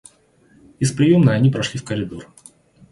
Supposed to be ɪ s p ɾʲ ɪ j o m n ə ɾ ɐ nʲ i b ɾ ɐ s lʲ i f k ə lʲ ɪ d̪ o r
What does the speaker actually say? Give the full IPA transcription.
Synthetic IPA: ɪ s p ɾʲ ɪ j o m n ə ɐ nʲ i p ɾ ɐ ʂ lʲ i f k ə ɾʲ ɪ d̪ o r

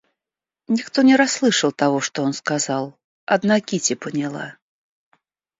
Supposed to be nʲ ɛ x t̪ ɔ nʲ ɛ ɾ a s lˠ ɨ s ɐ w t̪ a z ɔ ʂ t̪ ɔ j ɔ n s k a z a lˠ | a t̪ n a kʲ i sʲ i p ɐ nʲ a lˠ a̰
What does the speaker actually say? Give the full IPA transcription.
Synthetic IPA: nʲ i x t̪ ɔ nʲ ɛ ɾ a s lˠ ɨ ʂ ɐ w t̪ a ɣ ɔ ʂ t̪ ɔ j ɔ n s k a z a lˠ | a d̪ n a kʲ i t͡sʲ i p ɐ nʲ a lˠ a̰

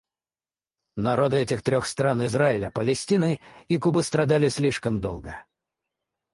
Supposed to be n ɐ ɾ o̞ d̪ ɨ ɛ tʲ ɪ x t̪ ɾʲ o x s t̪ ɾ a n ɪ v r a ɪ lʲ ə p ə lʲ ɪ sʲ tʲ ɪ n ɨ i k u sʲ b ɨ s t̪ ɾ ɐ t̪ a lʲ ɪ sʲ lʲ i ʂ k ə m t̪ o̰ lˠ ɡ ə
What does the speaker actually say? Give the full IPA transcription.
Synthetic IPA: n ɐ ɾ o̞ d̪ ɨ ɛ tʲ ɪ x t̪ ɾʲ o x s t̪ ɾ a n ɪ z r a ɪ lʲ ə p ə lʲ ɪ sʲ tʲ i n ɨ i k u b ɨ s t̪ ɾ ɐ d̪ a lʲ ɪ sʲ lʲ i ʂ k ə m d̪ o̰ lˠ ɡ ə

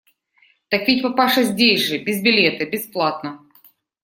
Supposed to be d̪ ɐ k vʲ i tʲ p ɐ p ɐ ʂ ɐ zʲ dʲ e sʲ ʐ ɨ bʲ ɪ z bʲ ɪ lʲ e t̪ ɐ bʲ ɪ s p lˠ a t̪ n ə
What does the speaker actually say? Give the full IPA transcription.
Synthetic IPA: t̪ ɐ k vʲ i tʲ p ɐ p a ʂ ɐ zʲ dʲ e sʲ ʐ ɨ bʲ ɪ z bʲ ɪ lʲ e t̪ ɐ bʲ ɪ s p lˠ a t̪ n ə

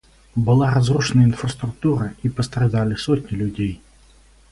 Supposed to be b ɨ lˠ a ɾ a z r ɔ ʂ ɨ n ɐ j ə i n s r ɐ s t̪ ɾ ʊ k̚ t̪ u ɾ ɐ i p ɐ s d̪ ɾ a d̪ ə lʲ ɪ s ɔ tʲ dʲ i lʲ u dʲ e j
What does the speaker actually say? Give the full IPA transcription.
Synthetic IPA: b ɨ lˠ a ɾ a z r u ʂ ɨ n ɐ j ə i n f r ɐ s t̪ ɾ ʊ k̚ t̪ u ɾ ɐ i p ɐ s t̪ ɾ a d̪ a lʲ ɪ s ɔ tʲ nʲ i lʲ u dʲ e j

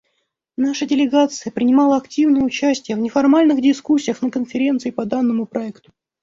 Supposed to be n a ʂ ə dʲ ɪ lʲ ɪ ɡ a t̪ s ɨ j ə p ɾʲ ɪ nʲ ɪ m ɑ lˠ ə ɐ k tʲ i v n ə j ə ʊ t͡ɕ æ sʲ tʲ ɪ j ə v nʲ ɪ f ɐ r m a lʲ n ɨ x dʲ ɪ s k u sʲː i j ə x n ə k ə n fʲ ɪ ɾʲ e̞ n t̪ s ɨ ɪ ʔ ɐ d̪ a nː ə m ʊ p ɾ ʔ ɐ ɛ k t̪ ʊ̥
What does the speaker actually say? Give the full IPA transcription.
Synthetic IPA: n a ʂ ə dʲ ɪ lʲ ɪ ɡ a t̪ s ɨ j ə p ɾʲ ɪ nʲ ɪ m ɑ lˠ ə ɐ k tʲ i v n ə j ə ʊ t͡ɕ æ sʲ tʲ ɪ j ə v nʲ ɪ f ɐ r m a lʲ n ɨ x dʲ ɪ s k u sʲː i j ə x n ə k ə n fʲ ɪ ɾʲ e̞ n t̪ s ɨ ɪ p ɐ d̪ a nː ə m ʊ p ɾ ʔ ɐ ɛ k t̪ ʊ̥

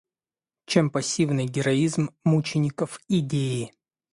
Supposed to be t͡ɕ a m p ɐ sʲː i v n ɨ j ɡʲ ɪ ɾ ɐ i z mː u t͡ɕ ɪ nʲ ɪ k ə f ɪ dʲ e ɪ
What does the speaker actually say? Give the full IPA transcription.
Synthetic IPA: t͡ɕ e m p ɐ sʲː i v n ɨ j ɡʲ ɪ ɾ ɐ i z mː u t͡ɕ ɪ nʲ ɪ k ə f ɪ dʲ e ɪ

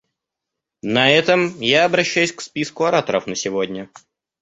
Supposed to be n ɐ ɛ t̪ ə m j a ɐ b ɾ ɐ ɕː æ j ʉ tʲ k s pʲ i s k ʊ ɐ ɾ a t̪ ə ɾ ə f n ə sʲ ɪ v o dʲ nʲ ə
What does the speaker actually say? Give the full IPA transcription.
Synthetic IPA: n ɐ ɛ t̪ ə m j a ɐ b ɾ ɐ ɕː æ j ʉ sʲ k s pʲ i s k ʊ ɐ ɾ a t̪ ə ɾ ə f n ə sʲ ɪ v o dʲ nʲ ə

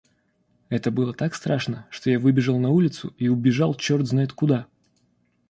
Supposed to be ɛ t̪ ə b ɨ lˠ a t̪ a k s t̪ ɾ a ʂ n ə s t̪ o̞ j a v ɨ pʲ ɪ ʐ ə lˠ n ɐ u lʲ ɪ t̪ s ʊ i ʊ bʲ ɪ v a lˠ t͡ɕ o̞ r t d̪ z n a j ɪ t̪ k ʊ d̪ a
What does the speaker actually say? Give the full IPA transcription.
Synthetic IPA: ɛ t̪ ə b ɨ lˠ ə t̪ a k s t̪ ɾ a ʂ n ə ʂ t̪ o̞ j a v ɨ bʲ ɪ ʐ ə lˠ n ɐ u lʲ ɪ t̪ s ʊ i ʊ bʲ ɪ ʐ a lˠ t͡ɕ o̞ r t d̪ z n a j ɪ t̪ k ʊ d̪ a

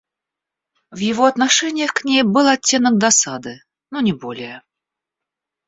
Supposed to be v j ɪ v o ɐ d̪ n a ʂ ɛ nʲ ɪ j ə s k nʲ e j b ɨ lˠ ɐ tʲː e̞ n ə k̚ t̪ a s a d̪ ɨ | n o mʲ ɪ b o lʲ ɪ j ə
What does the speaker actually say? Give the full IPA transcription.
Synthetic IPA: v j ɪ v o ɐ t̪ n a ʂ ɛ nʲ ɪ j ə x k nʲ e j b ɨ lˠ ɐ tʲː e̞ n ə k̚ d̪ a s a d̪ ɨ | n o nʲ ɪ b o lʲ ɪ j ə

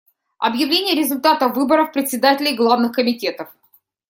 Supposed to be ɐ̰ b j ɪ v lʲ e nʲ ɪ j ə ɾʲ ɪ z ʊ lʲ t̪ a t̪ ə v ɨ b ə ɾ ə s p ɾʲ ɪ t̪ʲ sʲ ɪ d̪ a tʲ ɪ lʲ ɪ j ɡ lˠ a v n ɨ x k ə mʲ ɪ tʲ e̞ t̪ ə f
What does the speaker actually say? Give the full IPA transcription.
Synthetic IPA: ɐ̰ b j ɪ v lʲ e nʲ ɪ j ə ɾʲ ɪ z ʊ lʲ t̪ a t̪ ə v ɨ b ə ɾ ə f p ɾʲ ɪ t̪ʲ sʲ ɪ d̪ a tʲ ɪ lʲ ɪ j ɡ lˠ a v n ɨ x k ə mʲ ɪ tʲ e̞ t̪ ə f

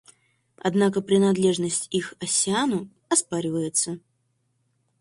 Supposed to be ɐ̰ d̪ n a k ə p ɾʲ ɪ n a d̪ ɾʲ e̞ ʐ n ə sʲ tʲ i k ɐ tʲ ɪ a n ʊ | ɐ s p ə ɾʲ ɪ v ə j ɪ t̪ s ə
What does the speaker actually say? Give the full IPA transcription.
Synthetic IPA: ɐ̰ d̪ n a k ə p ɾʲ ɪ n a d̪ lʲ e̞ ʐ n ə sʲ tʲ i x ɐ sʲ ɪ a n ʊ | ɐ s p a ɾʲ ɪ v ə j ɪ t̪ s ə

